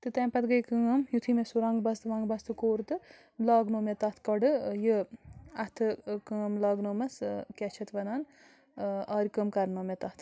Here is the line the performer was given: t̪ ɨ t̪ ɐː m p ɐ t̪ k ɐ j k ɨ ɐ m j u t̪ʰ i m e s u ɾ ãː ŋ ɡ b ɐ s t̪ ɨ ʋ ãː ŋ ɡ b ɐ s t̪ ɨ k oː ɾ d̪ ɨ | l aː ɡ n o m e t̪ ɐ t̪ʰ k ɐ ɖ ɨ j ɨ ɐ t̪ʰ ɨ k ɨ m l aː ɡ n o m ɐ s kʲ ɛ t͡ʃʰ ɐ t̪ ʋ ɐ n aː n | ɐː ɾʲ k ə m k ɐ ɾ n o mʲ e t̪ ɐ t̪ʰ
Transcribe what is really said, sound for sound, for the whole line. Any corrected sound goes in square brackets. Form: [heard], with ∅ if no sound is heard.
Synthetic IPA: t̪ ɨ t̪ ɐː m p ɐ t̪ [ɡ] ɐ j k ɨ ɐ m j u t̪ʰ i m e s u ɾ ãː ŋ ɡ b ɐ s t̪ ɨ ʋ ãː ŋ ɡ b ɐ s t̪ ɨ k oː ɾ [t̪] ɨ | l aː ɡ n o m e t̪ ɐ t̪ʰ k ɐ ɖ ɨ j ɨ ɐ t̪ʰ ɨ k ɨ m l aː ɡ n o m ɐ s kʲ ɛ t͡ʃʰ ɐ t̪ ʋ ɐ n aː n | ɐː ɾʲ k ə m k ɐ ɾ n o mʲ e t̪ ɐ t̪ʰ

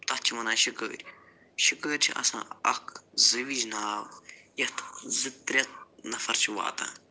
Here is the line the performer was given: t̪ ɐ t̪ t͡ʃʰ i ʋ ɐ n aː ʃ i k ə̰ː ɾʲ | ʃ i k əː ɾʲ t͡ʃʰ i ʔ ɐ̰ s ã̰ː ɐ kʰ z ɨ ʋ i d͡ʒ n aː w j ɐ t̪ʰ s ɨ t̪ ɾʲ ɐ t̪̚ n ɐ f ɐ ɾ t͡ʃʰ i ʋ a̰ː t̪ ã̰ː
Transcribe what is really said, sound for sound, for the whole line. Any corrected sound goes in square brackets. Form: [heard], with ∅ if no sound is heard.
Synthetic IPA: t̪ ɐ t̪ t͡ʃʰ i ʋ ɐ n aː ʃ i k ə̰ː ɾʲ | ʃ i k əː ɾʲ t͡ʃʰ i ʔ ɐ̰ s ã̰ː ɐ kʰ z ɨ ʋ i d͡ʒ n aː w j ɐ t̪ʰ [z] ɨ t̪ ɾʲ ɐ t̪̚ n ɐ f ɐ ɾ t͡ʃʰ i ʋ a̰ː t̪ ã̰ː

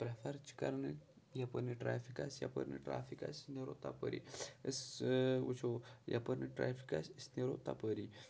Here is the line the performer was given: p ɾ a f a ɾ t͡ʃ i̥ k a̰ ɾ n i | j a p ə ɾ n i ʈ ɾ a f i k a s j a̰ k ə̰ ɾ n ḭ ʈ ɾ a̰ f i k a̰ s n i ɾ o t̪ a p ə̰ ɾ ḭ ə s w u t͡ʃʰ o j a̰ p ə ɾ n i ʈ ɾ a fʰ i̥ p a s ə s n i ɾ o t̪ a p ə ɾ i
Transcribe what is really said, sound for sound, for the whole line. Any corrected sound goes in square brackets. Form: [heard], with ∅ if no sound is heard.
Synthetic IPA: p ɾ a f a ɾ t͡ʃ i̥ k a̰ ɾ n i | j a p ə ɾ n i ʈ ɾ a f i k a s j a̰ [p] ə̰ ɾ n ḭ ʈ ɾ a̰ f i k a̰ s n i ɾ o t̪ a p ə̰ ɾ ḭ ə s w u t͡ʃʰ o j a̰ p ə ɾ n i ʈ ɾ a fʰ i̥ [k] a s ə s n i ɾ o t̪ a p ə ɾ i

